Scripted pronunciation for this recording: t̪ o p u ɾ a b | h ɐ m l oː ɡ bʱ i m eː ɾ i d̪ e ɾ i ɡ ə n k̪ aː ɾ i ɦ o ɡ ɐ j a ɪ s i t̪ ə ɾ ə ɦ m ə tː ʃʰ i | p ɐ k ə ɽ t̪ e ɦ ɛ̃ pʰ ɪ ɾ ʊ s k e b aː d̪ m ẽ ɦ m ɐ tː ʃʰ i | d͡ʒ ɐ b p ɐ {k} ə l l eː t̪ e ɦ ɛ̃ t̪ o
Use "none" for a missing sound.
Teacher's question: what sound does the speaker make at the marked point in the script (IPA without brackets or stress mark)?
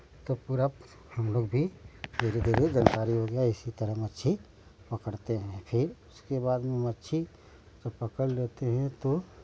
k